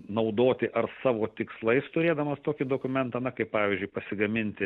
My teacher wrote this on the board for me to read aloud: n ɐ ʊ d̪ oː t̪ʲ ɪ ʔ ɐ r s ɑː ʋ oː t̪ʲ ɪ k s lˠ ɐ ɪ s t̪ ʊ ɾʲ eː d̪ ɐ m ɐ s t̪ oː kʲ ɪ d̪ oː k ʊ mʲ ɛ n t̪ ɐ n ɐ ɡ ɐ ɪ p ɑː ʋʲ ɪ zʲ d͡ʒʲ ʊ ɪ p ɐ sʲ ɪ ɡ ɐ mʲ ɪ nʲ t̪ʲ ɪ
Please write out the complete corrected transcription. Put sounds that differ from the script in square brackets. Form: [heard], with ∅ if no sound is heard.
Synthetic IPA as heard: n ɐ ʊ d̪ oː t̪ʲ ɪ ʔ ɐ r s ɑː ʋ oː t̪ʲ ɪ k s lˠ ɐ ɪ s t̪ ʊ ɾʲ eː d̪ ɐ m ɐ s t̪ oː kʲ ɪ d̪ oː k ʊ mʲ ɛ n t̪ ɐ n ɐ [k] ɐ ɪ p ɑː ʋʲ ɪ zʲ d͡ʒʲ ʊ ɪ p ɐ sʲ ɪ ɡ ɐ mʲ ɪ nʲ t̪ʲ ɪ